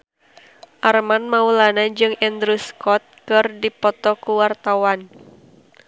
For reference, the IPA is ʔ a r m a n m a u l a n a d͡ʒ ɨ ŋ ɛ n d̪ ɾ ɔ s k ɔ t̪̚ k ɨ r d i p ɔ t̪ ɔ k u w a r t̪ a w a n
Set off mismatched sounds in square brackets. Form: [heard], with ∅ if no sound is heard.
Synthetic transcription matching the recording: ʔ a r m a n m a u l a n a d͡ʒ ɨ ŋ ɛ n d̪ ɾ [u] s k ɔ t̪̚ k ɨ r d i p ɔ t̪ ɔ k u w a r t̪ a w a n

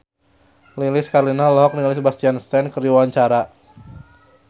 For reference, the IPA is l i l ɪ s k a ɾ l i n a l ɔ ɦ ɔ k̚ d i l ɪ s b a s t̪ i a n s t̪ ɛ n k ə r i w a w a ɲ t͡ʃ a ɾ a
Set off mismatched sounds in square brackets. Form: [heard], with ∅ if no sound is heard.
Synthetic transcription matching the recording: l i l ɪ s k a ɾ l i n a l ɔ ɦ ɔ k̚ [n] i l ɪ s b a s t̪ i a n s t̪ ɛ n k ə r i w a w a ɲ t͡ʃ a ɾ a

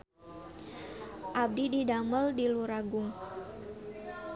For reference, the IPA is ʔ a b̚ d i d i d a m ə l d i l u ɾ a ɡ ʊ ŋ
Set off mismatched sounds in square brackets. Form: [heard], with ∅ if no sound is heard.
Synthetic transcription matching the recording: ʔ a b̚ d i d i d a m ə l d i l u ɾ a ɡ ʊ ŋ

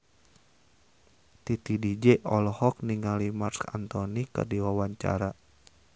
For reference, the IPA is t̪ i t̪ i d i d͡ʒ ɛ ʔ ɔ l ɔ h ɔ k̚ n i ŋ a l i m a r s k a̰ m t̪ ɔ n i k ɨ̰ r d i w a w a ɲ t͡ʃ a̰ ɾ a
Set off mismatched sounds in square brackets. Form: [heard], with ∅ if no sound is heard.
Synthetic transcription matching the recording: t̪ i t̪ i d i d͡ʒ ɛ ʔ ɔ l ɔ h ɔ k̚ n i ŋ a l i m a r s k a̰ [n] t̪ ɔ n i k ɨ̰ r d i w a w a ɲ t͡ʃ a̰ ɾ a

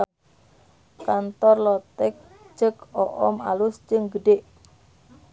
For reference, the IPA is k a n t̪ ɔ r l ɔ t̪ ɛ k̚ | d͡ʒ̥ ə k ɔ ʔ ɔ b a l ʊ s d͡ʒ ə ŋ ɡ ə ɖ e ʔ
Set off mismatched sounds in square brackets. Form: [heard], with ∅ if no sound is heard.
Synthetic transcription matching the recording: k a n t̪ ɔ r l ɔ t̪ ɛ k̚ | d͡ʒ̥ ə k ɔ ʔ ɔ [m] a l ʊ s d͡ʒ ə ŋ ɡ ə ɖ e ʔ

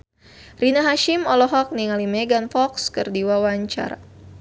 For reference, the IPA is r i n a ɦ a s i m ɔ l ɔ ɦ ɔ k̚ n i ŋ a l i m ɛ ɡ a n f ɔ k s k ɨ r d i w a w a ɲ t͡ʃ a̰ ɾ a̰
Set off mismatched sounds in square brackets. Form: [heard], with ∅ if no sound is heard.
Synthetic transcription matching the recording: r i n a ɦ a [ʃ] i m ɔ l ɔ ɦ ɔ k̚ n i ŋ a l i m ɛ ɡ a n f ɔ k s k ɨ r d i w a w a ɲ t͡ʃ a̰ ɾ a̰

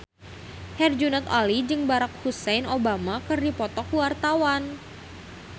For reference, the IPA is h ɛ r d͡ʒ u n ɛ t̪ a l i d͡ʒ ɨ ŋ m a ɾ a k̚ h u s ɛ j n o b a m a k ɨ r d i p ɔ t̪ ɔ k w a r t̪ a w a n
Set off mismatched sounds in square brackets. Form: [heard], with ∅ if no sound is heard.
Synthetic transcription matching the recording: h ɛ r d͡ʒ u n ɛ t̪ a l i d͡ʒ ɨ ŋ [b] a ɾ a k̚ h u s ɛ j n o b a m a k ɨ r d i p ɔ t̪ ɔ k w a r t̪ a w a n

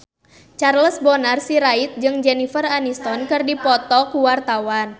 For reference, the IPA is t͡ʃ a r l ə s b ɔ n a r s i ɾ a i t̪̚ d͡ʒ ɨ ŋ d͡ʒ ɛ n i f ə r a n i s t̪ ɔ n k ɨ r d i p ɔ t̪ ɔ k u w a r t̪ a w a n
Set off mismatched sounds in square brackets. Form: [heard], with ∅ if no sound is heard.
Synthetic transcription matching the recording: t͡ʃ a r l ə s b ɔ n a r s i ɾ a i t̪̚ d͡ʒ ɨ ŋ d͡ʒ ɛ n i f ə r a n i s t̪ ɔ n k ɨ r d i p ɔ t̪ ɔ k u w a r t̪ a w a n

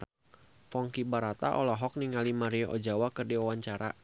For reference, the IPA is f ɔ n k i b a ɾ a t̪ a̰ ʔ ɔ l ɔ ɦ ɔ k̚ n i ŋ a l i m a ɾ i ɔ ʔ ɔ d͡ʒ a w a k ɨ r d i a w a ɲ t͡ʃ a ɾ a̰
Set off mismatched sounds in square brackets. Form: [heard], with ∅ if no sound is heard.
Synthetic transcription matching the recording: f ɔ [ŋ] k i b a ɾ a t̪ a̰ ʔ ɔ l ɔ ɦ ɔ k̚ n i ŋ a l i m a ɾ i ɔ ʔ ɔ d͡ʒ a w a k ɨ r d i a w a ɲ t͡ʃ a ɾ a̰

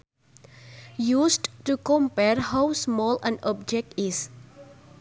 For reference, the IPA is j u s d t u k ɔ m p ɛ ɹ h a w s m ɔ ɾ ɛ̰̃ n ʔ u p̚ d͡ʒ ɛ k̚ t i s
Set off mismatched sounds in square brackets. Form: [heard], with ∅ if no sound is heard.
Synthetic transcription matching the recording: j u s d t u k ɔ m p ɛ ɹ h a w s m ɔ [l] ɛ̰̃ n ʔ [ɔ] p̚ d͡ʒ ɛ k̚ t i s

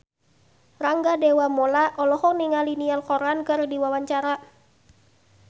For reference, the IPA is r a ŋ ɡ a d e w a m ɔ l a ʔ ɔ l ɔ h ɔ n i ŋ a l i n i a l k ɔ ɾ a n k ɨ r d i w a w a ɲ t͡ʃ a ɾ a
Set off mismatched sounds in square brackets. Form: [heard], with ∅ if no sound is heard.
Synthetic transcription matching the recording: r a ŋ ɡ a d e w a m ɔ l a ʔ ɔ l ɔ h ɔ n i ŋ a l i n i a l k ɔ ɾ a n k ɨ r d i w a w a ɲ t͡ʃ a ɾ a

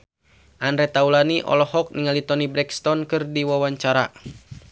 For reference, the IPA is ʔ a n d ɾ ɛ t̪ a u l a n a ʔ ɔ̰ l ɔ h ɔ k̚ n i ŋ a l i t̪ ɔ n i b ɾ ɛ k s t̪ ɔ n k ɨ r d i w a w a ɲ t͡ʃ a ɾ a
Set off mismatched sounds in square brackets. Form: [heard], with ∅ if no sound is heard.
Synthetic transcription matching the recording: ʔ a n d ɾ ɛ t̪ a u l a n [i] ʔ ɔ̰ l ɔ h ɔ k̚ n i ŋ a l i t̪ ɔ n i b ɾ ɛ k s t̪ ɔ n k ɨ r d i w a w a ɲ t͡ʃ a ɾ a

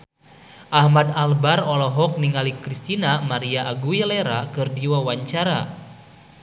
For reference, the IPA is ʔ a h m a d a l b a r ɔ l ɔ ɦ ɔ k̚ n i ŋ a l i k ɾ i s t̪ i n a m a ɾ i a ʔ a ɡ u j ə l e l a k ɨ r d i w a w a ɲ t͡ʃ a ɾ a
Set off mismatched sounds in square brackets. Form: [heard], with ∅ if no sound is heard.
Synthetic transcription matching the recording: ʔ a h m a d a l b a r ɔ l ɔ ɦ ɔ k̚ n i ŋ a l i k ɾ i s t̪ i n a m a ɾ i a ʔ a ɡ u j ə l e [ɾ] a k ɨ r d i w a w a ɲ t͡ʃ a ɾ a

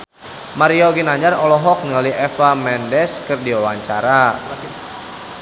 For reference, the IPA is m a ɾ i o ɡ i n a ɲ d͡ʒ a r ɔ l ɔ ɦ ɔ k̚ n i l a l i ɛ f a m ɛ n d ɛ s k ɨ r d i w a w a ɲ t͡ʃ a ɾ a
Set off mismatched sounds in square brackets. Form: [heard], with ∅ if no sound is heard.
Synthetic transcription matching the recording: m a ɾ i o ɡ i n a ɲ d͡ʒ a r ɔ l ɔ ɦ ɔ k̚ n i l a l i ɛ f a m ɛ n d ɛ s k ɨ r d i w a w a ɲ t͡ʃ a ɾ a

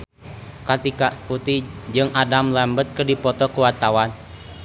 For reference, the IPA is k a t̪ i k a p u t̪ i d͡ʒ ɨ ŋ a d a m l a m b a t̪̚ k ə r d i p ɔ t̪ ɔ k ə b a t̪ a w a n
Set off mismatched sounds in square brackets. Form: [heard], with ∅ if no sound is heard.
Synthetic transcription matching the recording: k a t̪ i k a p u t̪ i d͡ʒ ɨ ŋ a d a m l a m b [ə] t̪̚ k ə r d i p ɔ t̪ ɔ k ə [w] a t̪ a w a n

